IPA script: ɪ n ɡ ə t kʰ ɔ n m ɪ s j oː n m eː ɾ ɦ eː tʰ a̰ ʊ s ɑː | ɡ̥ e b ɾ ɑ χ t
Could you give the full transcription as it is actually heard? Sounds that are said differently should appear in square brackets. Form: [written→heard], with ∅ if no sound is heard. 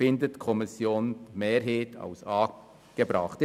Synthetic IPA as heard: ɪ n [ɡ→d] ə t kʰ ɔ [n→∅] m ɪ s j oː n m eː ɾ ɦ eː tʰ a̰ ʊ s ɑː | ɡ̥ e b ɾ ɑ χ t